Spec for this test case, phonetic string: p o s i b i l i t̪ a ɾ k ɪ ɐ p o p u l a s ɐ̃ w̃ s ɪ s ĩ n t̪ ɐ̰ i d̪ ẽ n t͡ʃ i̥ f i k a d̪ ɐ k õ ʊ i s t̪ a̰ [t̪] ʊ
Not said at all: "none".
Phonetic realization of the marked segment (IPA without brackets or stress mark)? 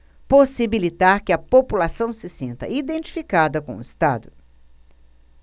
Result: d̪